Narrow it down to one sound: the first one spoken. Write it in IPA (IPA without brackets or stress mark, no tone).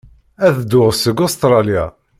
æ